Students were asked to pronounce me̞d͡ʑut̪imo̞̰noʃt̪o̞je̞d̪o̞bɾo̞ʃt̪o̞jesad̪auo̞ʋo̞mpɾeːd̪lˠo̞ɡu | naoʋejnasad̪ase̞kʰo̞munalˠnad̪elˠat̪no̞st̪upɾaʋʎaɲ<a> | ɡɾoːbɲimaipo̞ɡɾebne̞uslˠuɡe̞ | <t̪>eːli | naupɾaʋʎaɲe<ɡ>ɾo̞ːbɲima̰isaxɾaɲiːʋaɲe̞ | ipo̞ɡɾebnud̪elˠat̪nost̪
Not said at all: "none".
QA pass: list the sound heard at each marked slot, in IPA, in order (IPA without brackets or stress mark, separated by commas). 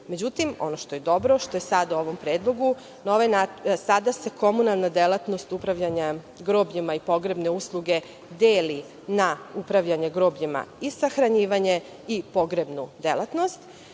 a, d̪, ɡ